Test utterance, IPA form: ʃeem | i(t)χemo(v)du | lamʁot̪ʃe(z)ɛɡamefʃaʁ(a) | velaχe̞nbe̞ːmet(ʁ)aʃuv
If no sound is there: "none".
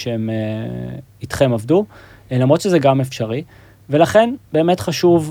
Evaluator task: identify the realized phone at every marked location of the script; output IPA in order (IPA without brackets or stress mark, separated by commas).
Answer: t, v, z, i, χ